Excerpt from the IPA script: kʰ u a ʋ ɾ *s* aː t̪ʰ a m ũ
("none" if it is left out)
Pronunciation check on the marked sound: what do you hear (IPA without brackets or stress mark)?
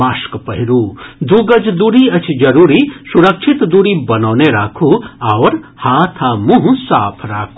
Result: h